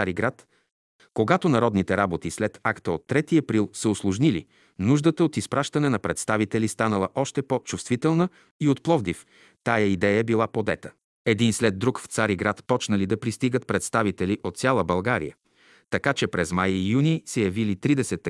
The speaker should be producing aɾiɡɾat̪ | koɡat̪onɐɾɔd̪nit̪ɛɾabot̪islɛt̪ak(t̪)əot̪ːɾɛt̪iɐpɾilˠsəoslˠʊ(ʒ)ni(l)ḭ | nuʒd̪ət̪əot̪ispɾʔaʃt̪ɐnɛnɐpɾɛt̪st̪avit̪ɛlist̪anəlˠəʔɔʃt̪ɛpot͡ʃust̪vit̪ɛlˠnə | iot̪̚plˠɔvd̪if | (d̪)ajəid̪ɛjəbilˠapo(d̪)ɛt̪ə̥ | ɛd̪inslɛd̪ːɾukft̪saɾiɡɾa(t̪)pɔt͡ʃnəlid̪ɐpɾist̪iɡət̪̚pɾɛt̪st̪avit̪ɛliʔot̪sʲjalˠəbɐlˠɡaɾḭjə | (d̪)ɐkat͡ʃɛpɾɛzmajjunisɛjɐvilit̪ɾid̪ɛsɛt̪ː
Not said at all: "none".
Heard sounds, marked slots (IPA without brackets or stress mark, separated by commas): t̪, ʒ, l, t̪, d̪, t̪, t̪